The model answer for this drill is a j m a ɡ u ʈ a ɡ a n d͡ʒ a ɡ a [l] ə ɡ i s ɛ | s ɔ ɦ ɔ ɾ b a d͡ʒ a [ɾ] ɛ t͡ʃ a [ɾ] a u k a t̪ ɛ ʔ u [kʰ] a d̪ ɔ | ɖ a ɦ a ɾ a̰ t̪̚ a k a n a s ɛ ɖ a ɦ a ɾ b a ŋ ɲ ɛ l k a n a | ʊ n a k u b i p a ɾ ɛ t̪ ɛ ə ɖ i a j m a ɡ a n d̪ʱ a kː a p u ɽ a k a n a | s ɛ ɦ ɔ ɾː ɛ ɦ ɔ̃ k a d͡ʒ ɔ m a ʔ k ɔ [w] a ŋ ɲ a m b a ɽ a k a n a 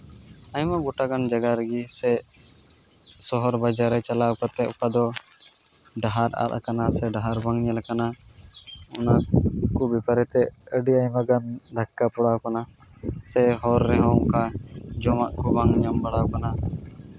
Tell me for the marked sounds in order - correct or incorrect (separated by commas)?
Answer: incorrect, correct, incorrect, incorrect, incorrect